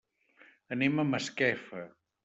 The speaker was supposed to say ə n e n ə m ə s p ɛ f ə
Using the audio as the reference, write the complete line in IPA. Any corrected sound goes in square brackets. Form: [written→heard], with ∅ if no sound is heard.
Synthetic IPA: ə n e [n→m] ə m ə s [p→k] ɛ f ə